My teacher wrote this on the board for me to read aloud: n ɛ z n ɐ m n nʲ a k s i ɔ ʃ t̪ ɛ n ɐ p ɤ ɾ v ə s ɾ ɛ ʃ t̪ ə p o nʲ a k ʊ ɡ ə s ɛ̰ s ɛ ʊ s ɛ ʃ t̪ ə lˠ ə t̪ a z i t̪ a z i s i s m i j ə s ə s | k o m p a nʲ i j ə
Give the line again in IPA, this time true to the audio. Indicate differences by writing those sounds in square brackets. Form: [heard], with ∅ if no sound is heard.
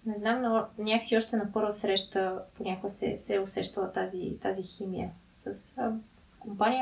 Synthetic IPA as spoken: n ɛ z n [a] m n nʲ a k s i ɔ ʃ t̪ ɛ n ɐ p ɤ ɾ v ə s ɾ ɛ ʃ t̪ ə p o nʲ a k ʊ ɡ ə s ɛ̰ s ɛ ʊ s ɛ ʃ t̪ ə lˠ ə t̪ a z i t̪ a z i [x] i [∅] m i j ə s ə s | k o m p a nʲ i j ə